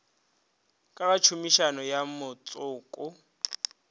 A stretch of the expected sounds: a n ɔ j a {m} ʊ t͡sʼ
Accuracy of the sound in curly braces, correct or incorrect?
correct